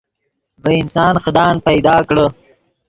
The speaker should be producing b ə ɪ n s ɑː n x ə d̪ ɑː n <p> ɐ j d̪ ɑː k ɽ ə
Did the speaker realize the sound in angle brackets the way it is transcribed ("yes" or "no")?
yes